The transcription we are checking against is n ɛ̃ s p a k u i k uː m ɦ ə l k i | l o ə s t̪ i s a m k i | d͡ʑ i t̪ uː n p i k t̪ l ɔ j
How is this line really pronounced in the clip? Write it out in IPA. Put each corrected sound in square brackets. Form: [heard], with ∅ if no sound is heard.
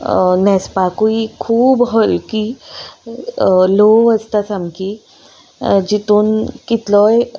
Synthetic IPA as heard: n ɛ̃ s p a k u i [kʰ] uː [b] ɦ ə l k i | l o ə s t̪ [a] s a m k i | d͡ʑ i t̪ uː n [k] i [∅] t̪ l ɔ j

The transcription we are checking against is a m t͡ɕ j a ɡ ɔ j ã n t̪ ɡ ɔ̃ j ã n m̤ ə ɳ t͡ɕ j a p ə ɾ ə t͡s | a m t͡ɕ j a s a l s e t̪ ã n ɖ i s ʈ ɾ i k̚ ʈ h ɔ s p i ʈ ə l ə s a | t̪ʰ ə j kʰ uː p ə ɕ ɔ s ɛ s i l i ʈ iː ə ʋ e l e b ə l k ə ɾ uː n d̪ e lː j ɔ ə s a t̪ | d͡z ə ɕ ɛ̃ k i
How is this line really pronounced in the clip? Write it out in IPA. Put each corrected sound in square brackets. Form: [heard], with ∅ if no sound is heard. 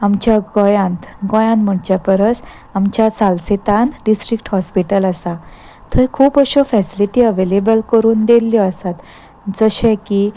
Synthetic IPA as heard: a m t͡ɕ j a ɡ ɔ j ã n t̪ ɡ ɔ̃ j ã n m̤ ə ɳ t͡ɕ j a p ə ɾ ə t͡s | a m t͡ɕ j a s a l s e t̪ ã n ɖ i s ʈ ɾ i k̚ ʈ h ɔ s p i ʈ ə l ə s a | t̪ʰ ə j kʰ uː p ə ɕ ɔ [f] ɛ s i l i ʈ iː ə ʋ e l e b ə l k ə ɾ uː n d̪ e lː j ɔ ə s a t̪ | d͡z ə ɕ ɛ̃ k i

